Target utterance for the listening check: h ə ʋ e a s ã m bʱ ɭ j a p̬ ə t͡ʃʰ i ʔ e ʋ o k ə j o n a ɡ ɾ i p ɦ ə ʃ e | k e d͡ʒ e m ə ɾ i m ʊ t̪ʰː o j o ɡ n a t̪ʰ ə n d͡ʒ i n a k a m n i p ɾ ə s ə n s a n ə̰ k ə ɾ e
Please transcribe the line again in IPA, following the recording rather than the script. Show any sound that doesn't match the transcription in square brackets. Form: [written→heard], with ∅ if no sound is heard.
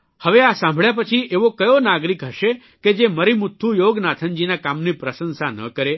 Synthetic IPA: h ə ʋ e a s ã m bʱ ɭ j a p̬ ə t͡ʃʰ i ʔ e ʋ o k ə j o n a ɡ ɾ i [p→k] ɦ ə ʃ e | k e d͡ʒ e m ə ɾ i m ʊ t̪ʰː [o→u] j o ɡ n a t̪ʰ ə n d͡ʒ i n a k a m n i p ɾ ə s ə n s a n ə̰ k ə ɾ e